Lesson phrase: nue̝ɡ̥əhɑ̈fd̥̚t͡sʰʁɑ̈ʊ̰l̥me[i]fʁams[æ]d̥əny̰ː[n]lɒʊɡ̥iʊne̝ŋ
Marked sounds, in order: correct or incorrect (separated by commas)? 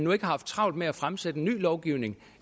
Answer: incorrect, incorrect, incorrect